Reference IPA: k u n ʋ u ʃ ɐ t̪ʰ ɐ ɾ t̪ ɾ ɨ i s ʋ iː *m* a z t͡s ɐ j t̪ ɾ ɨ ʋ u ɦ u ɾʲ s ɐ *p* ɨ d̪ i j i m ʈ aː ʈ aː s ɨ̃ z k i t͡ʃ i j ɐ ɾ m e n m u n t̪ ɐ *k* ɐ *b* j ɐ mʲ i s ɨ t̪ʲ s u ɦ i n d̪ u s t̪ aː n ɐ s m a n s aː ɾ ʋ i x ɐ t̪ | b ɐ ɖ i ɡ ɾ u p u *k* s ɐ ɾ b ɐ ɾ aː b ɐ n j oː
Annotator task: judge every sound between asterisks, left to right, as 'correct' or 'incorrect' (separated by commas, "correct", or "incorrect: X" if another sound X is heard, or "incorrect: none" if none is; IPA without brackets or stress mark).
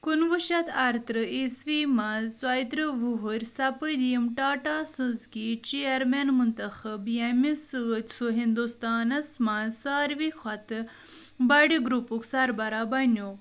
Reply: correct, correct, incorrect: x, correct, correct